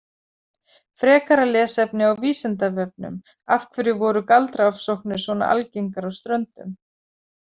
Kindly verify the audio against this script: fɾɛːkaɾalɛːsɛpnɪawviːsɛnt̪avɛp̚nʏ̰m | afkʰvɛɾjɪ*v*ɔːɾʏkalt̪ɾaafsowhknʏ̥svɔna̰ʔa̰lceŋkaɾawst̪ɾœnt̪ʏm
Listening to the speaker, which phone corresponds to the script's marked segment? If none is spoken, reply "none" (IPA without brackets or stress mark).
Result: v